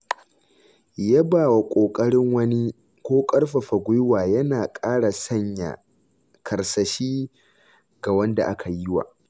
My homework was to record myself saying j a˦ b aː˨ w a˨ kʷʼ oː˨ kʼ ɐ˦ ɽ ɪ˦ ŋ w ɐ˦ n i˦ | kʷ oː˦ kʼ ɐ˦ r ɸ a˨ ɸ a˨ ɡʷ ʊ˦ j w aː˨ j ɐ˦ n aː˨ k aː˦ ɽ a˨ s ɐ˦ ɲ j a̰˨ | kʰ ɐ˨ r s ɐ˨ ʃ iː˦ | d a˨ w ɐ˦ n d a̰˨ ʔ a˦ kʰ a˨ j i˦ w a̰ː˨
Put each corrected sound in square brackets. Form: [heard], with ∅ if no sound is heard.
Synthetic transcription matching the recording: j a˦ b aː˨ w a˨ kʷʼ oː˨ kʼ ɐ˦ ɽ ɪ˦ ŋ w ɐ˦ n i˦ | kʷ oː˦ kʼ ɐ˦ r ɸ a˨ ɸ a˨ ɡʷ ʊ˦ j w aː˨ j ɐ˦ n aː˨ [kʼ] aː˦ ɽ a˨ s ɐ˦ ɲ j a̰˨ | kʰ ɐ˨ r s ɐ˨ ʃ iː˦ | [ɡ] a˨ w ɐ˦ n d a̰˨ ʔ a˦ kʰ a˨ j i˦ w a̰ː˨

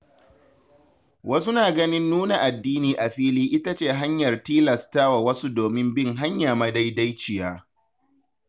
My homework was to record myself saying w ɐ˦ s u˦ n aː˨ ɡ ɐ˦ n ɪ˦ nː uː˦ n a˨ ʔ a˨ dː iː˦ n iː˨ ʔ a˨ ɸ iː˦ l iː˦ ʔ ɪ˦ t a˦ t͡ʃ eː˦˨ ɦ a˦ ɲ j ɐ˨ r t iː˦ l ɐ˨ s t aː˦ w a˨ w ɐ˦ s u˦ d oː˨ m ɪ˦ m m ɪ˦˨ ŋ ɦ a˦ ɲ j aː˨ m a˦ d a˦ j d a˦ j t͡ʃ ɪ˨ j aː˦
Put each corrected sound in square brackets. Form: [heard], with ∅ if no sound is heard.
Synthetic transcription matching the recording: w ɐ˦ s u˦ n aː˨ ɡ ɐ˦ n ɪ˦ nː uː˦ n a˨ ʔ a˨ dː iː˦ n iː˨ ʔ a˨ ɸ iː˦ l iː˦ ʔ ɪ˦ t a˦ t͡ʃ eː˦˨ ɦ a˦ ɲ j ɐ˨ r t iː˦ l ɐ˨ s t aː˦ w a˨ w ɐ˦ s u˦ d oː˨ m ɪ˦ m [b] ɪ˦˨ ŋ ɦ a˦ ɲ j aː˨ m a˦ d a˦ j d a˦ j t͡ʃ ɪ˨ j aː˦

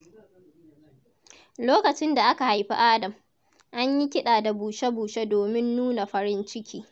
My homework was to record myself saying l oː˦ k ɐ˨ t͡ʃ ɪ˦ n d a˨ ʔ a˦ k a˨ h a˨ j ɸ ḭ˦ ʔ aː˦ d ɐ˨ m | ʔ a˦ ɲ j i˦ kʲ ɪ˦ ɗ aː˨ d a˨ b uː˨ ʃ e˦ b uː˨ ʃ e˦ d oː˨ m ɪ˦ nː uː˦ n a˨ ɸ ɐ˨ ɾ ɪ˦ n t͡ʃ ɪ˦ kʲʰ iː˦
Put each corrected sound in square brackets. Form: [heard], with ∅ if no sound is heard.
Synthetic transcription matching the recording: l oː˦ k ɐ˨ t͡ʃ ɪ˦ n d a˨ ʔ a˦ k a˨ h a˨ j ɸ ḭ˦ ʔ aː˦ d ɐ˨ m | ʔ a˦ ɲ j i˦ kʲ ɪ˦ ɗ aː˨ d a˨ b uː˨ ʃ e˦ b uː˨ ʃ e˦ d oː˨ m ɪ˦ nː uː˦ n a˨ ɸ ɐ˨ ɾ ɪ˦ n t͡ʃ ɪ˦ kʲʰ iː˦

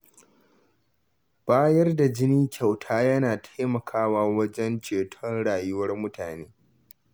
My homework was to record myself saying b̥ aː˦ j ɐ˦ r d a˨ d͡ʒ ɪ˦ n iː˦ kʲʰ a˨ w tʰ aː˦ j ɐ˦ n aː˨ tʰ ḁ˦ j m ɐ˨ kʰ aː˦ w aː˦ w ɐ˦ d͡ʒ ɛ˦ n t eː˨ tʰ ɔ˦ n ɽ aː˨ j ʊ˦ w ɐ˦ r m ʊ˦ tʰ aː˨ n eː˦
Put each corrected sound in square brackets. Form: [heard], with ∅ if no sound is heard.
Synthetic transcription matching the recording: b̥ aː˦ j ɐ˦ r d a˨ d͡ʒ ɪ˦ n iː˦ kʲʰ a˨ w tʰ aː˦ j ɐ˦ n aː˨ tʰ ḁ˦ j m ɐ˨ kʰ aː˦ w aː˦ w ɐ˦ d͡ʒ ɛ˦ n [t͡ʃ] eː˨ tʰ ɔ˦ n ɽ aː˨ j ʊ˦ w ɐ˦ r m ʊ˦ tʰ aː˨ n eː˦

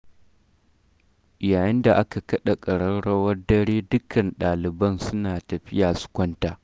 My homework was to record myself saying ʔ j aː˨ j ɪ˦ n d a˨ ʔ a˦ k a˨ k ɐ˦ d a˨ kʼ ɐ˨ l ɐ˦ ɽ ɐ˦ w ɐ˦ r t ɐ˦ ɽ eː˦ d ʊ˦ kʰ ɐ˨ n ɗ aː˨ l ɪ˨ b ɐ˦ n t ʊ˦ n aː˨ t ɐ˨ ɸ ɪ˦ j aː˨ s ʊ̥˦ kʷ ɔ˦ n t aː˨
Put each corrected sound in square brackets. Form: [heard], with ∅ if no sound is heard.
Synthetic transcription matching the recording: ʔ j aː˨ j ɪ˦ n d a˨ ʔ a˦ k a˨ k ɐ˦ [ɗ] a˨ kʼ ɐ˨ [ɽ] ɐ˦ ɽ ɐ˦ w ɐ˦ r [d] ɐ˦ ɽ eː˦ d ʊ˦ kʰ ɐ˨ n ɗ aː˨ l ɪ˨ b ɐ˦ n [s] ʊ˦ n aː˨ t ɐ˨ ɸ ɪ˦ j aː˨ s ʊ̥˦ kʷ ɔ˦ n t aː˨

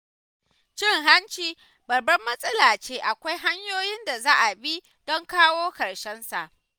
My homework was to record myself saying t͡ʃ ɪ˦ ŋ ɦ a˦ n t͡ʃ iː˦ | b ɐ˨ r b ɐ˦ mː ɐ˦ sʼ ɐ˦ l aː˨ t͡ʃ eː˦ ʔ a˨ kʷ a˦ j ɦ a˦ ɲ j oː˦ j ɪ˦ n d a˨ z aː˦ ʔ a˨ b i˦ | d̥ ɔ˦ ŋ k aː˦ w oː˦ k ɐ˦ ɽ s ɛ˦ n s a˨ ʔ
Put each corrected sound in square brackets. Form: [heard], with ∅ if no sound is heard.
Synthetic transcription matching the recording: t͡ʃ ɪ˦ ŋ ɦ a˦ n t͡ʃ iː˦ | b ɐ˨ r b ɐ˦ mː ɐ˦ sʼ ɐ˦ l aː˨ t͡ʃ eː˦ ʔ a˨ kʷ a˦ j ɦ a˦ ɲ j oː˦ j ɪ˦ n d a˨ z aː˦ ʔ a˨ b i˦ | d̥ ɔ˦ ŋ k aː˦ w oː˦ k [ɐ˨] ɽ [ʃ] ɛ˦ n s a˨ ʔ

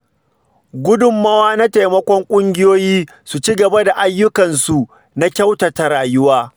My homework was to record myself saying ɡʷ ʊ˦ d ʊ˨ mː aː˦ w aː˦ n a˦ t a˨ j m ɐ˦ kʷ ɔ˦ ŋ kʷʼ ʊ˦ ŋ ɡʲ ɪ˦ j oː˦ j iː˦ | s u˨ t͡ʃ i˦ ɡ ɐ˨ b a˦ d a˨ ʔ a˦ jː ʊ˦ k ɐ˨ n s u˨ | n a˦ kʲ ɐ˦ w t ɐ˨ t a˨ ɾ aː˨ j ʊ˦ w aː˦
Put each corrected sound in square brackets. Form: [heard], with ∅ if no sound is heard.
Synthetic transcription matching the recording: ɡʷ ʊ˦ d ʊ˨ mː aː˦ w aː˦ n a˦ t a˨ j m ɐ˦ kʷ ɔ˦ ŋ kʷʼ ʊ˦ ŋ ɡʲ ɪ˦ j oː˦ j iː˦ | s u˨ t͡ʃ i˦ ɡ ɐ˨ b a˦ d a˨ ʔ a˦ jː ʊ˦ k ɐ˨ n s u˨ | n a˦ kʲ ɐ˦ w t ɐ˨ t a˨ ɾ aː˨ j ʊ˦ w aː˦

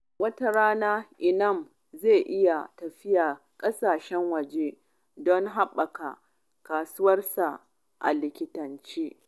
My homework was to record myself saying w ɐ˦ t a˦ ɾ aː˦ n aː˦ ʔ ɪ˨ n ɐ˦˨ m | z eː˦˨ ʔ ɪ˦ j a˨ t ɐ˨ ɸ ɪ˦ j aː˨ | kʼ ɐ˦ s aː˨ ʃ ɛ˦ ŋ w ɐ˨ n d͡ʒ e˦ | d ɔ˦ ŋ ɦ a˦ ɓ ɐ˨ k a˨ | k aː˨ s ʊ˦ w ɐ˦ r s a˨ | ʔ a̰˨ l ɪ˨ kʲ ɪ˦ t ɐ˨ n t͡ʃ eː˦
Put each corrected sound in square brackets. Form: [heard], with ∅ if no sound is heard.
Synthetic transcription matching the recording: w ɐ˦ t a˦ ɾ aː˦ n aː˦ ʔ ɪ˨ n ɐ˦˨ m | z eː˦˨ ʔ ɪ˦ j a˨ t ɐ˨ ɸ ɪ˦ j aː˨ | kʼ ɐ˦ s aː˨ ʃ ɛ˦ ŋ w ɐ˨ [∅] d͡ʒ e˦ | d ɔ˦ ŋ ɦ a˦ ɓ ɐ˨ k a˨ | k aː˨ s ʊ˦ w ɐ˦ r s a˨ | ʔ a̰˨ l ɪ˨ kʲ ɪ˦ t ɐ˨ n t͡ʃ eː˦

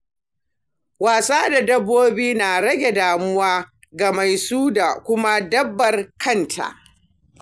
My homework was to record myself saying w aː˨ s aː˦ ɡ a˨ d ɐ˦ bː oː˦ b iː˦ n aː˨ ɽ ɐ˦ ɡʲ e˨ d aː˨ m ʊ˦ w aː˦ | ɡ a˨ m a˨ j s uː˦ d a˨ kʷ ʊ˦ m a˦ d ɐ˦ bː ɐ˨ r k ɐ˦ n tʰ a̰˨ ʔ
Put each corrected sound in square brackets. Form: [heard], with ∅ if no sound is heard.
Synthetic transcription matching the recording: w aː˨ s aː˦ [d] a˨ d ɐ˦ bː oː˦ b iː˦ n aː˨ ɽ ɐ˦ ɡʲ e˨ d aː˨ m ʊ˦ w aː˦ | ɡ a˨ m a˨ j s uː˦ d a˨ kʷ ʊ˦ m a˦ d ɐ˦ bː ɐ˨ r k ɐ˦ n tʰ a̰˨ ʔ

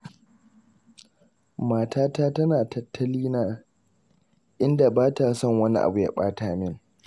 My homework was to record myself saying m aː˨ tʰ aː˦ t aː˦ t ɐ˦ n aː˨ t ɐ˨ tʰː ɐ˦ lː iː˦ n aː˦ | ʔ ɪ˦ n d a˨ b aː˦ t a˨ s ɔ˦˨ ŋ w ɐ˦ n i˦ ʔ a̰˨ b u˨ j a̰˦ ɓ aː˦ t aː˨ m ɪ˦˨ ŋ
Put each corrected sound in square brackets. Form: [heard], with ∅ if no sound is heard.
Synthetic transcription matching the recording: m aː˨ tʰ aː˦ t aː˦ t ɐ˦ n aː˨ t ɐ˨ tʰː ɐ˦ [l] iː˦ n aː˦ | ʔ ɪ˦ n d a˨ b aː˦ t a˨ s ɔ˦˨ ŋ w ɐ˦ n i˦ ʔ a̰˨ b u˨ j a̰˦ ɓ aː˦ t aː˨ m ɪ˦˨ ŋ

